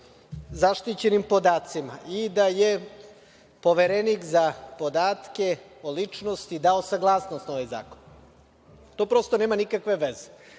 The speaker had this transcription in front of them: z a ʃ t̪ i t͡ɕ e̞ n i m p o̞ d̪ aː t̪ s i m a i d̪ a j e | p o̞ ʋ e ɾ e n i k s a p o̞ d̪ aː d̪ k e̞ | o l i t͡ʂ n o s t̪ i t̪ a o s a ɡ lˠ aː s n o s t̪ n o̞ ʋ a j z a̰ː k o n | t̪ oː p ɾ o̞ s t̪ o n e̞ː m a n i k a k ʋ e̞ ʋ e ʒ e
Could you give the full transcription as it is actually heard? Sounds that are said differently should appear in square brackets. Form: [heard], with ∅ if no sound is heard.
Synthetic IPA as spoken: z a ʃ t̪ i t͡ɕ e̞ n i m p o̞ d̪ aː t̪ s i m a i d̪ a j e | p o̞ ʋ e ɾ e n i k [z] a p o̞ d̪ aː [t̪] k e̞ | o l i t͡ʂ n o s t̪ i [d̪] a o s a ɡ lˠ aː s n o s t̪ n o̞ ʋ a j z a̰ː k o n | t̪ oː p ɾ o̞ s t̪ o n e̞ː m a n i k a k ʋ e̞ ʋ e [z] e